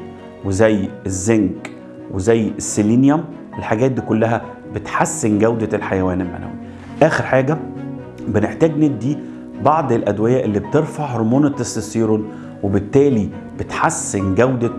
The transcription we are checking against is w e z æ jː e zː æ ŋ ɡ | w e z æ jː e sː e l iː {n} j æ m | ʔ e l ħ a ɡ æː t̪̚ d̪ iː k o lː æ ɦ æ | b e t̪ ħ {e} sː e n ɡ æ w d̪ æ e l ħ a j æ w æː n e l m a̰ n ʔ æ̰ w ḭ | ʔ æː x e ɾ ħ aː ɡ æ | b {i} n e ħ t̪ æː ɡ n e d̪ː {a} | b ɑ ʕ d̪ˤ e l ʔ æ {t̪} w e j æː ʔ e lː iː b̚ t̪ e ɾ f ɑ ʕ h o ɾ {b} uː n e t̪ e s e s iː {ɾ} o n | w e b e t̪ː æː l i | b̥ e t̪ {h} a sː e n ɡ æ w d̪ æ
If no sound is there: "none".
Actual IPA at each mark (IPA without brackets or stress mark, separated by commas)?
n, a, e, i, d̪, m, ɾ, ħ